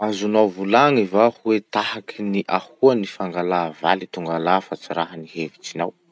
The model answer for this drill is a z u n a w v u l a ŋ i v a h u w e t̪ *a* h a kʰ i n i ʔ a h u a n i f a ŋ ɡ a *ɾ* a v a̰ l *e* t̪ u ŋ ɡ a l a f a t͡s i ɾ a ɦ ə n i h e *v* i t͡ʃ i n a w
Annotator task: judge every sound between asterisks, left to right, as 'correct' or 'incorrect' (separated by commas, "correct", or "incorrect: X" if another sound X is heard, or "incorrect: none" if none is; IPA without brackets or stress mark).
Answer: correct, incorrect: l, incorrect: i, correct